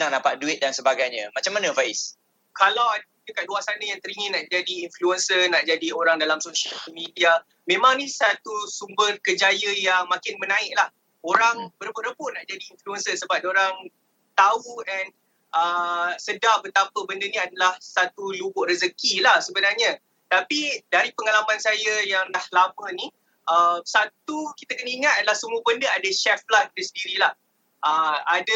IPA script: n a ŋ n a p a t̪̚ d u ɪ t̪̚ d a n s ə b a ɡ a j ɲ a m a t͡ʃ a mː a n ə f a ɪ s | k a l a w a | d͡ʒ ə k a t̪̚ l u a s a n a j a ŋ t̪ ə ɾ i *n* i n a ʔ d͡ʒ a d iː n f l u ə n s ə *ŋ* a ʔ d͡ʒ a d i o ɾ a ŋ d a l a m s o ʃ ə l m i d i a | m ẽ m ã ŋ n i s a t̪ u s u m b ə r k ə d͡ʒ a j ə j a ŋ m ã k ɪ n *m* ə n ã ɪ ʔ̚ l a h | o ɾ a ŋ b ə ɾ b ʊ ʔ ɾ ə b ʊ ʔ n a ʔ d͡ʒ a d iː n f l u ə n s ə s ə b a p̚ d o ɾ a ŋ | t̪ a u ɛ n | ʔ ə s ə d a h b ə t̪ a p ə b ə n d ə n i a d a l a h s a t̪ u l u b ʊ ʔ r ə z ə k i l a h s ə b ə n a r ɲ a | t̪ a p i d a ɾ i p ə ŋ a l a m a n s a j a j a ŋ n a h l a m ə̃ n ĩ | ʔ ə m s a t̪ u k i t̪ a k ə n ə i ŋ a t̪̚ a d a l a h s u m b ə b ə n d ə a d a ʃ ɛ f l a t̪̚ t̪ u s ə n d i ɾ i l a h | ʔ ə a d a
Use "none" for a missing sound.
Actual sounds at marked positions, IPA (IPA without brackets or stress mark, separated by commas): ŋ, n, m